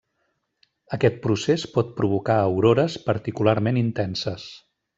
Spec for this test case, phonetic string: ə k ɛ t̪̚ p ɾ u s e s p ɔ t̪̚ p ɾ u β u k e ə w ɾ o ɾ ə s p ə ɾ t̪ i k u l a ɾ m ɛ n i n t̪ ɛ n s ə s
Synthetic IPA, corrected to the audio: ə k ɛ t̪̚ p ɾ u s e s p ɔ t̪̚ p ɾ u β u k a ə w ɾ o ɾ ə s p ə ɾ t̪ i k u l a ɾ m e n i n t̪ ɛ n s ə s

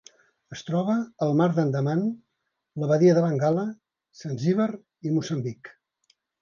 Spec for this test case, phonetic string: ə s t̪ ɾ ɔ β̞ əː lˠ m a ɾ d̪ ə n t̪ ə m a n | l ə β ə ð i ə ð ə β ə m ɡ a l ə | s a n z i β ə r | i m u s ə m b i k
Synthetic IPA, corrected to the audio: ə s t̪ ɾ ɔ β̞ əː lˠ m a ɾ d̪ ə n d̪ ə m a n | l ə β ə ð i ə ð ə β ə ŋ ɡ a l ə | s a n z i β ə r | i m u s ə m b i k

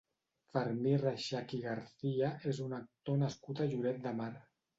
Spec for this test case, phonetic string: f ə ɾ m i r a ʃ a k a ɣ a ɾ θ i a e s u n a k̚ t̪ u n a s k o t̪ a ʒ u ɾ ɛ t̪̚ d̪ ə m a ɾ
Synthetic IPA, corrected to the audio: f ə ɾ m i r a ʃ a k i ɣ a ɾ θ i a e z u n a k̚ t̪ o n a s k u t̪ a ʒ u ɾ ɛ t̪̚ d̪ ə m a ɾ

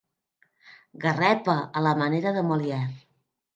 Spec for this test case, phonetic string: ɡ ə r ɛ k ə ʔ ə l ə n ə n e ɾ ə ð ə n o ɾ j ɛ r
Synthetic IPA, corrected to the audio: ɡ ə r ɛ p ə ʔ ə l ə m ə n e ɾ ə ð ə m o l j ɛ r

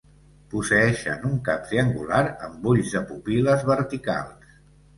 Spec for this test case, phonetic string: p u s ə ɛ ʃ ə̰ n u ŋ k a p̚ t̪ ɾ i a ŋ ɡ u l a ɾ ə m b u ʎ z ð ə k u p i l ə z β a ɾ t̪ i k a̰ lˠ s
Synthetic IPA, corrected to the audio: p u s ə ɛ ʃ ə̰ n u ŋ k a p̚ t̪ ɾ i ə ŋ ɡ u l a ɾ ə m b u ʎ z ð ə p u p i l ə z β ə ɾ t̪ i k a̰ lˠ s

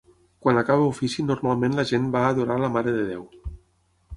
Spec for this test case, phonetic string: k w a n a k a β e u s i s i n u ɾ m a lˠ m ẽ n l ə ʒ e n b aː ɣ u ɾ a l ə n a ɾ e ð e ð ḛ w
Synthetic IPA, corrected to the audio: k w a n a k a β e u f i s i n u ɾ m a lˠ m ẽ n l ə ʒ e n b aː ð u ɾ a l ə m a ɾ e ð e ð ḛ w

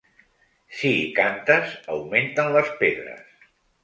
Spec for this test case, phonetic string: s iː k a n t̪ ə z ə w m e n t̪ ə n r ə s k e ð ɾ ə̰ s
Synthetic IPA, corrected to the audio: s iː k a n t̪ ə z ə w m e n t̪ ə n l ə s p e ð ɾ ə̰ s

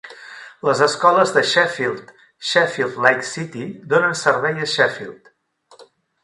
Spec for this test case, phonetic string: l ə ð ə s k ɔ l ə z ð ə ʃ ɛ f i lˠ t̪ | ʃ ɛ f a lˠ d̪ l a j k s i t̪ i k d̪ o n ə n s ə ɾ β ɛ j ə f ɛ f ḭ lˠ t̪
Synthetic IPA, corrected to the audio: l ə z ə s k ɔ l ə z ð ə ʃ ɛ f i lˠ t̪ | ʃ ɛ f i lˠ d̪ l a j k s i t̪ i d̪ o n ə n s ə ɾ β ɛ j ə ʃ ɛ f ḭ lˠ t̪

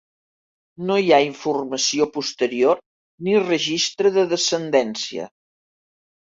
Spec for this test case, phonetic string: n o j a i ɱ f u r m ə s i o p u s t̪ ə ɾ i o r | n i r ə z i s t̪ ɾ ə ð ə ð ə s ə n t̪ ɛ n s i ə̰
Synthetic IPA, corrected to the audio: n o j a i ɱ f u r m ə s i o p u s t̪ ə ɾ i o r | n i r ə ʒ i s t̪ ɾ ə ð ə ð ə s ə n d̪ ɛ n s i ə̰

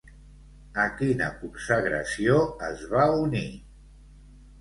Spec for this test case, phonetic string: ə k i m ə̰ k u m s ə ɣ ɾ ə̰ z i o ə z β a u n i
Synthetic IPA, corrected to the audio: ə k i n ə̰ k u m s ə ɣ ɾ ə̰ s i o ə z β a u n i

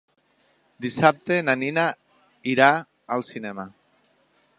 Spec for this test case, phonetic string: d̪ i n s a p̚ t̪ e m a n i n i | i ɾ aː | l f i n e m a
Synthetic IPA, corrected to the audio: d̪ i s a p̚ t̪ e n a n i n a | i ɾ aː | l s i n e m a

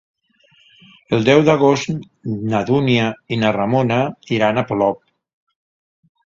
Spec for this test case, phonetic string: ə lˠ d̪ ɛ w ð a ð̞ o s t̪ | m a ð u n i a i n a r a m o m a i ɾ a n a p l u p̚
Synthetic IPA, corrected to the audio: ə lˠ d̪ ɛ w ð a ɣ̞ o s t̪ | n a ð u n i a i n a r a m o n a i ɾ a n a p l ɔ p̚

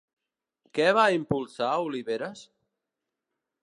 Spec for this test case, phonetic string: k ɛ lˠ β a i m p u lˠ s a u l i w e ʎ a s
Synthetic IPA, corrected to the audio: k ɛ β a i m p u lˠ s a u l i β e ɾ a s

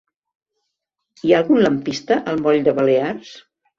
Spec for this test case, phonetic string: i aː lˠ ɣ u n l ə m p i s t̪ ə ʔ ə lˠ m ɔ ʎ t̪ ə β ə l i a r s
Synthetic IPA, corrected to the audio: i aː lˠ ɣ u n l ə m p i s t̪ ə ʔ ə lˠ m ɔ ʎ d̪ ə β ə l e a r s

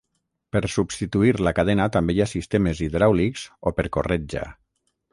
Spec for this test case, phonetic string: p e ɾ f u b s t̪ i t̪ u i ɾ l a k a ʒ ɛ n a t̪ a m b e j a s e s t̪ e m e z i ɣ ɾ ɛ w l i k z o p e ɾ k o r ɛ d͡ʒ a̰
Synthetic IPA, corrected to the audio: p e ɾ s u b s t̪ i t̪ u i ɾ l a k a ð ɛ n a t̪ a m b e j a s i s t̪ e m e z i ð ɾ a w l i k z o p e ɾ k o r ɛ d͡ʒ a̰

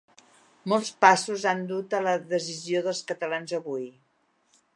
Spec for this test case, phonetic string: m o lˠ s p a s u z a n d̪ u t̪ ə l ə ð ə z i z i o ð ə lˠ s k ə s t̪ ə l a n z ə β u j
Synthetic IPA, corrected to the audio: m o lˠ s p a s u z a n d̪ u t̪ ə l ə ð ə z i z i o ð ə lˠ s k ə t̪ ə l a n z ə β u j

